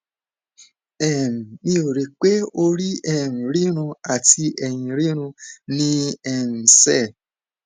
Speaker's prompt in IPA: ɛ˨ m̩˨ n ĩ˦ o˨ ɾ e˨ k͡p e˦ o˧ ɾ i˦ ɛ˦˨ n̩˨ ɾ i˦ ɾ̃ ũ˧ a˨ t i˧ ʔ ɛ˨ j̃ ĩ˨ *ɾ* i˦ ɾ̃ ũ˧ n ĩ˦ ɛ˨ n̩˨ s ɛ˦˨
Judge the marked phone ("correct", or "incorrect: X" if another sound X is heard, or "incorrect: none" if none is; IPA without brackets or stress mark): correct